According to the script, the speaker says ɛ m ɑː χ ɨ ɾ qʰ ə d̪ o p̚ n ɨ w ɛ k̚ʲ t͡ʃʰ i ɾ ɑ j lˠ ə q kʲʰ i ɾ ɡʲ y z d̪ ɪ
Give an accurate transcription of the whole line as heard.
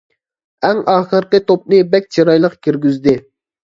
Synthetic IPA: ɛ ŋ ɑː χ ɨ ɾ q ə t̪ o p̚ n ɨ b ɛ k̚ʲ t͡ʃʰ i ɾ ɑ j lˠ ə q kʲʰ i ɾ ɡʲ y z d̪ ɪ